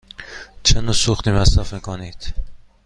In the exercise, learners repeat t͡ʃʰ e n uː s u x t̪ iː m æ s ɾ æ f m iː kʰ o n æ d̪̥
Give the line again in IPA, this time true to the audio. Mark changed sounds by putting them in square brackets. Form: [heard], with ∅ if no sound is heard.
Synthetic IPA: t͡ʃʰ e n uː s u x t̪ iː m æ s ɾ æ f m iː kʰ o n [i] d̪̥